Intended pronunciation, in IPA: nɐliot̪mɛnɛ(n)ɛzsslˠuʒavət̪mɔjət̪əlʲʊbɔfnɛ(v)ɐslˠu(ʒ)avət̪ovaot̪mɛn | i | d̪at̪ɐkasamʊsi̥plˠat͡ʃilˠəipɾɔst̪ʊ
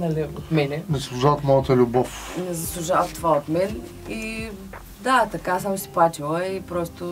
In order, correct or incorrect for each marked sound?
correct, incorrect, correct

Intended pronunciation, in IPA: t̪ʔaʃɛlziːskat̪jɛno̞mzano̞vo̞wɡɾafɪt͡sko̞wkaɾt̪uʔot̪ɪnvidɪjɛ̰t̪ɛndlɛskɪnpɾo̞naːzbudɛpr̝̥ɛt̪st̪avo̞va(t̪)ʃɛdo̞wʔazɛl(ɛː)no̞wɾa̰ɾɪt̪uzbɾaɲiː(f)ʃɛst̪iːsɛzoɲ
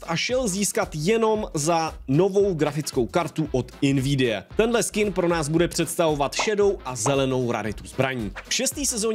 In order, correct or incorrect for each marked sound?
correct, incorrect, correct

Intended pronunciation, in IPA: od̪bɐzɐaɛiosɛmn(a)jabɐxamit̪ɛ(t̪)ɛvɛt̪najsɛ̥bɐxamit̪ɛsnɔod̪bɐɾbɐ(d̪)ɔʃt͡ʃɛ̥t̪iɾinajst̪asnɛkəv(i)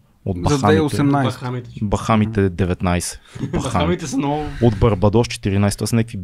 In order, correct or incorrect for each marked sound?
correct, incorrect, correct, correct

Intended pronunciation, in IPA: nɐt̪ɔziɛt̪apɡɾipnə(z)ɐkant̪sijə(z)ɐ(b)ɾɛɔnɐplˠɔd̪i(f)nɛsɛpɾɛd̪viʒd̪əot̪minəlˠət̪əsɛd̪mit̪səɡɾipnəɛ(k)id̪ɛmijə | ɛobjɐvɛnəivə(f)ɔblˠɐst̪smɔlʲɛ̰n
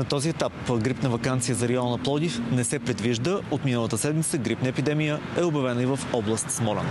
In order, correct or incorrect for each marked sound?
incorrect, correct, incorrect, correct, incorrect, correct

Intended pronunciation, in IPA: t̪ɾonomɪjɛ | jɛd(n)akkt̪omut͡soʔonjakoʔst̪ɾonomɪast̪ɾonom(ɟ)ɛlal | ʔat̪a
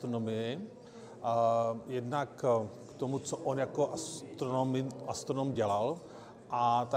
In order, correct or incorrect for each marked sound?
correct, correct

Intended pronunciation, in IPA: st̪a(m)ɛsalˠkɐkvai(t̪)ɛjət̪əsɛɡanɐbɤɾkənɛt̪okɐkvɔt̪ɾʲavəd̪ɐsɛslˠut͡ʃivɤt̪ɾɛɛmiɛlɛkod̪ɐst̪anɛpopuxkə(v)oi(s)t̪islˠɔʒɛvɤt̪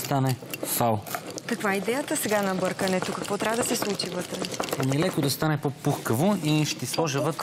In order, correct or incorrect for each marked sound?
incorrect, incorrect, correct, incorrect

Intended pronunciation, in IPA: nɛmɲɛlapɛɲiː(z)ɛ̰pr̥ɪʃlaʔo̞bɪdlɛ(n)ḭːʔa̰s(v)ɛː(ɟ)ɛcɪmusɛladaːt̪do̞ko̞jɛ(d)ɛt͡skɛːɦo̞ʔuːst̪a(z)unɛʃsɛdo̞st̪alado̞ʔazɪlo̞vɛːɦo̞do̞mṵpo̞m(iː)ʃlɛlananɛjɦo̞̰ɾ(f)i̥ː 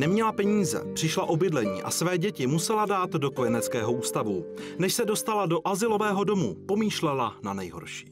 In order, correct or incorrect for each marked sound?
correct, incorrect, correct, correct, incorrect, incorrect, correct, incorrect

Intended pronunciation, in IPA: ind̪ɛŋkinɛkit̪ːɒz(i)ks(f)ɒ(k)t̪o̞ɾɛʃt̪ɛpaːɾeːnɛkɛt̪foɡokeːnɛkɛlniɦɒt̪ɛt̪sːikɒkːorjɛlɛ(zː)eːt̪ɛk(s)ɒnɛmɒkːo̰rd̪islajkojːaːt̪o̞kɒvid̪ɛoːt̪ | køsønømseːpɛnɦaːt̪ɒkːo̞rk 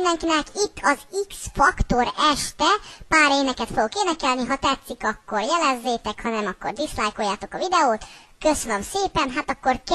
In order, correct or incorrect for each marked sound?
correct, correct, correct, correct, incorrect

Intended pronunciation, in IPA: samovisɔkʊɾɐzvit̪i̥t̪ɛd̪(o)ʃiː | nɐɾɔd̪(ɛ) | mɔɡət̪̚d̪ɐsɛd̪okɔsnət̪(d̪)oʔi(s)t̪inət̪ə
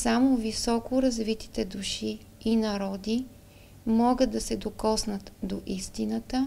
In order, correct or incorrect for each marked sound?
incorrect, incorrect, correct, correct

